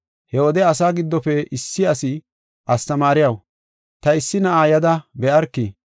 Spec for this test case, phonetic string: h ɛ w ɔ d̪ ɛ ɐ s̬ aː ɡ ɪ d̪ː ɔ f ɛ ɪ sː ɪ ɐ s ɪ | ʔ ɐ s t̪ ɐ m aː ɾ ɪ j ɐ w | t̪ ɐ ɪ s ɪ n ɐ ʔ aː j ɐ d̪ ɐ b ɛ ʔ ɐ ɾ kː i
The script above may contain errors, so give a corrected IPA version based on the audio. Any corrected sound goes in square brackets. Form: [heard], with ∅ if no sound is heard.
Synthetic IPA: h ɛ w ɔ d̪ ɛ ɐ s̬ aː ɡ ɪ d̪ː ɔ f ɛ ɪ sː ɪ ɐ s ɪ | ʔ ɐ s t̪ ɐ m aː ɾ ɪ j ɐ w | t̪ ɐ ɪ [sː] ɪ n ɐ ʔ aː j ɐ d̪ ɐ b ɛ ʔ ɐ ɾ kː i

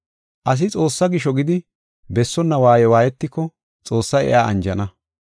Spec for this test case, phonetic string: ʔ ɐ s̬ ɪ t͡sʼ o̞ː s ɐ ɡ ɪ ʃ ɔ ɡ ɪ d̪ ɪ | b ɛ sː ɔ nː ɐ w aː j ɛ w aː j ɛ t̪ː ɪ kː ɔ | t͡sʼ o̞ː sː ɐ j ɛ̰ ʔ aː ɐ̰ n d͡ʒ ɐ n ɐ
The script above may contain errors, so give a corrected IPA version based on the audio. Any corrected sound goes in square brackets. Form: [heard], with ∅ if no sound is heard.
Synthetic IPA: ʔ ɐ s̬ ɪ t͡sʼ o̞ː [sː] ɐ ɡ ɪ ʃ ɔ ɡ ɪ d̪ ɪ | b ɛ sː ɔ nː ɐ w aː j ɛ w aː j ɛ t̪ː ɪ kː ɔ | t͡sʼ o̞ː sː ɐ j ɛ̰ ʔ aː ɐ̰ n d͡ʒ ɐ n ɐ

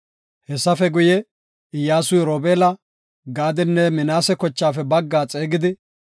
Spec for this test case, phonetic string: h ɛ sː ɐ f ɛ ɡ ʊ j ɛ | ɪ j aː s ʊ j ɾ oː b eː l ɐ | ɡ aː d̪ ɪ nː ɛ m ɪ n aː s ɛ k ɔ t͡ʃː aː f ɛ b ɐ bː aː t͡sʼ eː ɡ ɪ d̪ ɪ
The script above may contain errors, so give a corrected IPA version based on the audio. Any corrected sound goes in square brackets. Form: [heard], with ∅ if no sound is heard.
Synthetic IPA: h ɛ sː ɐ f ɛ ɡ ʊ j ɛ | ɪ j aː s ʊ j ɾ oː b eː l ɐ | ɡ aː d̪ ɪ nː ɛ m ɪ n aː s ɛ k ɔ t͡ʃː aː f ɛ b ɐ [ɡː] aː t͡sʼ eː ɡ ɪ d̪ ɪ

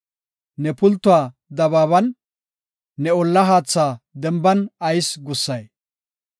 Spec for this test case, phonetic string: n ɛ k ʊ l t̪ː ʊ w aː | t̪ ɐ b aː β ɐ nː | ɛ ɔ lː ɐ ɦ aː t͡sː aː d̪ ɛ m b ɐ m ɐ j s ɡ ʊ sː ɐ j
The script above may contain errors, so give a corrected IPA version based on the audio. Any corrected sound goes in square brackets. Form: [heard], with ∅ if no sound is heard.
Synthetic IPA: n ɛ [p] ʊ l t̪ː ʊ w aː | [d̪] ɐ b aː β ɐ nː | ɛ ɔ lː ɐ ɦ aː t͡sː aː d̪ ɛ m b ɐ [n] ɐ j s ɡ ʊ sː ɐ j

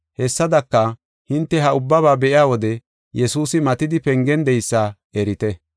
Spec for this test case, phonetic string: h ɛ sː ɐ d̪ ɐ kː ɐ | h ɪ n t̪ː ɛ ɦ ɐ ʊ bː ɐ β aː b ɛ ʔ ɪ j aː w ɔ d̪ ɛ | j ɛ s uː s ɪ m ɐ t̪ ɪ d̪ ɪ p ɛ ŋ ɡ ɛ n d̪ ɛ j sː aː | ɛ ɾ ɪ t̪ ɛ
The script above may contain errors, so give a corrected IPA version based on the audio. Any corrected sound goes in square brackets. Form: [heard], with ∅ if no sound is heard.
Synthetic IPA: h ɛ sː ɐ d̪ ɐ kː ɐ | h ɪ n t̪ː ɛ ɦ ɐ ʊ bː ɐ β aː b ɛ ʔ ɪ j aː w ɔ d̪ ɛ | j ɛ s uː s ɪ m ɐ t̪ ɪ d̪ ɪ p ɛ ŋ ɡ ɛ n d̪ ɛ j sː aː | ɛ ɾ ɪ t̪ ɛ

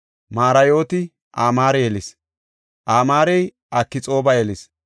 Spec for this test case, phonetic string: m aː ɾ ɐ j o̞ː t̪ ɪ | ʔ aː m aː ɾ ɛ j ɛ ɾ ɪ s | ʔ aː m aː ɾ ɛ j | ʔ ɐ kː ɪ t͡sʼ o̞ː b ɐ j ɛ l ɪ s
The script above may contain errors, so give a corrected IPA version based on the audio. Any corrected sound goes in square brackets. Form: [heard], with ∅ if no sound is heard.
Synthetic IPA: m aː ɾ ɐ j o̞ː t̪ ɪ | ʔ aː m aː ɾ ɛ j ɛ [l] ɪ s | ʔ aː m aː ɾ ɛ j | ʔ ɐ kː ɪ t͡sʼ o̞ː b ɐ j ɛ l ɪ s

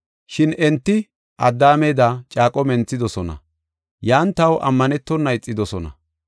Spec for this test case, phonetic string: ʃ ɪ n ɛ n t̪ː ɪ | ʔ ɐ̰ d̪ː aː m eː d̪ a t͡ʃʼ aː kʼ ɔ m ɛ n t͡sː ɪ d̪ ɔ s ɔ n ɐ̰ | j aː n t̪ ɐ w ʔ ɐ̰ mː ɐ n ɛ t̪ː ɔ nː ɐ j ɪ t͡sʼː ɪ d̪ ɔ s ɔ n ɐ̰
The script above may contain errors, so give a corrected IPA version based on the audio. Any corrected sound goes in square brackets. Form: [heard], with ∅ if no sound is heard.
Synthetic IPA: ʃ ɪ n ɛ n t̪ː ɪ | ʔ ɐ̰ d̪ː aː m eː d̪ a t͡ʃʼ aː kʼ ɔ m ɛ n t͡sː ɪ d̪ ɔ s ɔ n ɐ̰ | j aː n t̪ ɐ w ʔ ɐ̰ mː ɐ n ɛ t̪ː ɔ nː ɐ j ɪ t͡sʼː ɪ d̪ ɔ s ɔ n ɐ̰

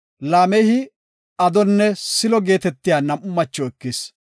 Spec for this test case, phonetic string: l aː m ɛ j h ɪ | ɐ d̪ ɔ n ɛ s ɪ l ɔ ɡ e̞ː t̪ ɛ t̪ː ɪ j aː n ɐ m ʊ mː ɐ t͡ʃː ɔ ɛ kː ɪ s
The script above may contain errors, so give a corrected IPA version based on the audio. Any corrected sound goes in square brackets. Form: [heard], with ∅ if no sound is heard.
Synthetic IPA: l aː m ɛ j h ɪ | ɐ d̪ ɔ [nː] ɛ s ɪ l ɔ ɡ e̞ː t̪ ɛ t̪ː ɪ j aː n ɐ m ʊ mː ɐ t͡ʃː ɔ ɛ kː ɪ s

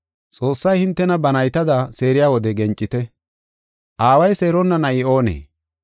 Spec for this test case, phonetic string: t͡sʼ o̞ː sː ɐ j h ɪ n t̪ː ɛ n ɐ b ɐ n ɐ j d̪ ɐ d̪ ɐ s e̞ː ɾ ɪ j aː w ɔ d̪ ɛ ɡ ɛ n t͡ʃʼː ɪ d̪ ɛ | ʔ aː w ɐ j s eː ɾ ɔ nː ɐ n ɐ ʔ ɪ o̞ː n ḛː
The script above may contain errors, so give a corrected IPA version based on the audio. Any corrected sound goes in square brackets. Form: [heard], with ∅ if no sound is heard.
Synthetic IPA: t͡sʼ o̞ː sː ɐ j h ɪ n t̪ː ɛ n ɐ b ɐ n ɐ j [t̪] ɐ d̪ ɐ s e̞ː ɾ ɪ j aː w ɔ d̪ ɛ ɡ ɛ n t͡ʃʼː ɪ [t̪] ɛ | ʔ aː w ɐ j s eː ɾ ɔ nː ɐ n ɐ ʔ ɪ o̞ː n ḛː

